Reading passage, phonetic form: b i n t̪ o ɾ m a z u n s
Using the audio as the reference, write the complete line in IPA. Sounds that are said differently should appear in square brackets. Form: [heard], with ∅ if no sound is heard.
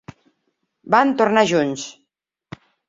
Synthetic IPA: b [a] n t̪ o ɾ [n] a [ʒ] u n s

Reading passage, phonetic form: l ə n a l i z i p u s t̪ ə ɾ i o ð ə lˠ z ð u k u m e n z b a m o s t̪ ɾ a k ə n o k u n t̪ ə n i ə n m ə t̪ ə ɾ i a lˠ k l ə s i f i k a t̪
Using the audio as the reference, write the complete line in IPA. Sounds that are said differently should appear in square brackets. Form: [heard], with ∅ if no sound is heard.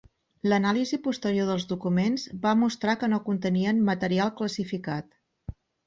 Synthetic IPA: l ə n a l i z i p u s t̪ ə ɾ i o ð ə lˠ z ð u k u m e n z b a m [u] s t̪ ɾ a k ə n o k u n t̪ ə n i ə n m ə t̪ ə ɾ i a lˠ k l ə s i f i k a t̪

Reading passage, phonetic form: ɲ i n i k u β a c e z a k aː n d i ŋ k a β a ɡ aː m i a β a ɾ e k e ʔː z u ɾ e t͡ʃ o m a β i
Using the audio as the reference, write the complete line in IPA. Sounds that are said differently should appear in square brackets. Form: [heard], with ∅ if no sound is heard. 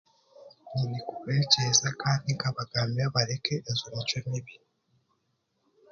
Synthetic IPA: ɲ i n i k u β [e] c e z a k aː n d i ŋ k a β a ɡ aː m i a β a ɾ e k e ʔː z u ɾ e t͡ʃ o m [i] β i

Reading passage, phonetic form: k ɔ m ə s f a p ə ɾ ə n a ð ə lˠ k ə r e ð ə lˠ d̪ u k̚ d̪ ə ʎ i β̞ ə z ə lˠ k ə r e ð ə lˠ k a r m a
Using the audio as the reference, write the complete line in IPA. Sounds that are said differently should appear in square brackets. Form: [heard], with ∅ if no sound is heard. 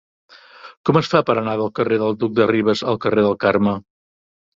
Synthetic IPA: k ɔ m ə s f a p ə ɾ ə n a ð ə lˠ k ə r e ð ə lˠ d̪ u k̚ d̪ ə [r] i β̞ ə z ə lˠ k ə r e ð ə lˠ k a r m [ə]

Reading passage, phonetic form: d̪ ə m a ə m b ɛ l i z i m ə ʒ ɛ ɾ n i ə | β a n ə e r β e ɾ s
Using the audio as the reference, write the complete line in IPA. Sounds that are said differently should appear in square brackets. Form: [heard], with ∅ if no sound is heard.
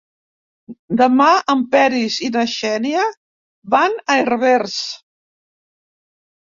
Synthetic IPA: d̪ ə m a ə m [p] ɛ [ɾ] i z i [n] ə [ʃ] ɛ [∅] n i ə | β a n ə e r β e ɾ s

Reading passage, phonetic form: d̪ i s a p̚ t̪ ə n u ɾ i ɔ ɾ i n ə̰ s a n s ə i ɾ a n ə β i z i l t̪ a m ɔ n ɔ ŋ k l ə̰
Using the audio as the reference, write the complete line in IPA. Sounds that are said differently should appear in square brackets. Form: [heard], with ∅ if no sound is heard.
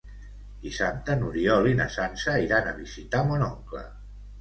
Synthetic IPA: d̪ i s a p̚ t̪ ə n u ɾ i ɔ [l] i n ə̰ s a n s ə i ɾ a n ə β i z i [∅] t̪ a m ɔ n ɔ ŋ k l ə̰

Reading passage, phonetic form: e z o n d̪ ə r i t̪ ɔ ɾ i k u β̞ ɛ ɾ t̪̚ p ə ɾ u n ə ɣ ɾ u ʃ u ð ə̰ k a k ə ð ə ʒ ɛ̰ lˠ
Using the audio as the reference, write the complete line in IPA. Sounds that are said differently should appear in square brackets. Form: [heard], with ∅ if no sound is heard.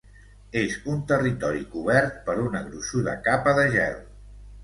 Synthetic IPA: e z [u] n [t̪] ə r i t̪ ɔ ɾ i k u β̞ ɛ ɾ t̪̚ p ə ɾ u n ə ɣ ɾ u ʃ u ð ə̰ k a [p] ə ð ə ʒ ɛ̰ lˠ

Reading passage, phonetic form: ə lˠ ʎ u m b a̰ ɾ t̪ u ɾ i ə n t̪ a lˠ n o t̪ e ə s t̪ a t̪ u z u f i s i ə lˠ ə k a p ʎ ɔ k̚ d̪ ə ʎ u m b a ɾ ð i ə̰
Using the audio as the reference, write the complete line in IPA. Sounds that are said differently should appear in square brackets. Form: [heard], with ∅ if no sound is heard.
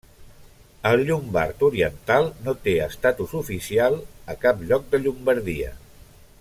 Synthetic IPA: ə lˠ ʎ u m b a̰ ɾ t̪ u ɾ i ə n t̪ a lˠ n o t̪ e ə s t̪ a t̪ u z u f i s i [a] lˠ ə k a p ʎ ɔ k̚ d̪ ə ʎ u m b [ə] ɾ ð i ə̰

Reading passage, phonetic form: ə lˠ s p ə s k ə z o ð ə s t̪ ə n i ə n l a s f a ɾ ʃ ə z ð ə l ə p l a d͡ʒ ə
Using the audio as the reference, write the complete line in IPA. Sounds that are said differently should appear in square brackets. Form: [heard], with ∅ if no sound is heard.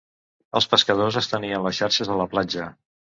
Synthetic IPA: ə lˠ s p ə s k ə [ð] o [z] ə s t̪ ə n i ə n l [ə] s [ʃ] a ɾ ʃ ə z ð ə l ə p l a d͡ʒ ə

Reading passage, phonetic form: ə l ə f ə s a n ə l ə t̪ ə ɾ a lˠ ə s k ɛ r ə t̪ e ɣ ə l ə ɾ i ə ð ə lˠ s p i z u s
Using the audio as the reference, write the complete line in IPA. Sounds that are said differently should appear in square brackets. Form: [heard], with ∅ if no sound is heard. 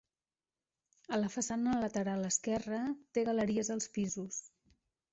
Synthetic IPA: ə l ə f ə s a n ə l ə t̪ ə ɾ a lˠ ə s k ɛ r ə t̪ e ɣ ə l ə ɾ i ə [z] ə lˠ s p i z u s

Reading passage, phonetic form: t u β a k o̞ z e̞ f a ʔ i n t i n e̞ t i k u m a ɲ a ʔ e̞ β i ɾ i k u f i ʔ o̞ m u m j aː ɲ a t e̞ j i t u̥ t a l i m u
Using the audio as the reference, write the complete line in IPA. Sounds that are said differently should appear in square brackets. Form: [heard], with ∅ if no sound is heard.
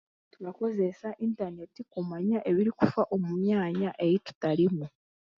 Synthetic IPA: t u β a k o̞ z e̞ [s] a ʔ i n t [a] n e̞ t i k u m a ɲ a ʔ e̞ β i ɾ i k u f [a] ʔ o̞ m u m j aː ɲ a [ʔ] e̞ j i t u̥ t a l i m u

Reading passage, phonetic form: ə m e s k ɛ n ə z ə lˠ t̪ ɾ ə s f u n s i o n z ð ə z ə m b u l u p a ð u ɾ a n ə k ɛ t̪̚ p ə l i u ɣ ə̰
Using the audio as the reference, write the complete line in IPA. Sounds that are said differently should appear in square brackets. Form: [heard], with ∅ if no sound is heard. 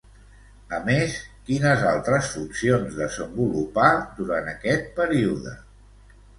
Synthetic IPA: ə m e s k [i] n ə z [a] lˠ t̪ ɾ ə s f u n s i o n z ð ə z ə m b u l u p a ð u ɾ a n ə k ɛ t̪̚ p ə [ɾ] i u [ð] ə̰

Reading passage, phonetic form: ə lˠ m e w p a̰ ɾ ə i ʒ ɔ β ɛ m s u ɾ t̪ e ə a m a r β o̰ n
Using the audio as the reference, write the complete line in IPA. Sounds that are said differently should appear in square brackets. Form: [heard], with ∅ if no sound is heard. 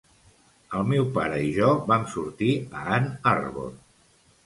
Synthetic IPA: ə lˠ m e w p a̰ ɾ ə i ʒ ɔ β [a] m s u ɾ t̪ [i] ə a [n] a r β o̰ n

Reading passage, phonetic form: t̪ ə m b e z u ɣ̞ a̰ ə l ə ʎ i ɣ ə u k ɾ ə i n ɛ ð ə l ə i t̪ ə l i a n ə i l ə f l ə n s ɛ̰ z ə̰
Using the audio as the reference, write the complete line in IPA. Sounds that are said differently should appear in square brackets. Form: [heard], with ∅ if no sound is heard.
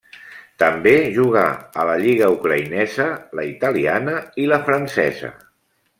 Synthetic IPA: t̪ ə m b e [ʒ] u ɣ̞ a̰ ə l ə ʎ i ɣ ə u k ɾ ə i n ɛ [z] ə l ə i t̪ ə l i a n ə i l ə f [ɾ] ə n s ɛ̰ z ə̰

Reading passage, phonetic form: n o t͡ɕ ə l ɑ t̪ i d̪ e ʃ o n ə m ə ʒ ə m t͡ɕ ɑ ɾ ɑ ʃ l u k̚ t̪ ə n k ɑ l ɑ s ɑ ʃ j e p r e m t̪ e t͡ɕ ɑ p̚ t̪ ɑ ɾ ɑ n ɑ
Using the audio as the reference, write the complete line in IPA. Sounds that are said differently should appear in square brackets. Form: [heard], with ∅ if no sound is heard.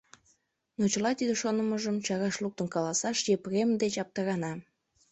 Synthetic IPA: n o t͡ɕ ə l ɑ t̪ i d̪ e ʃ o n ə m ə ʒ ə m t͡ɕ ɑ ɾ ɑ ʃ l u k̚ t̪ ə n k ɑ l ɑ s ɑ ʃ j e p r e m [d̪] e t͡ɕ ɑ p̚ t̪ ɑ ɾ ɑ n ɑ

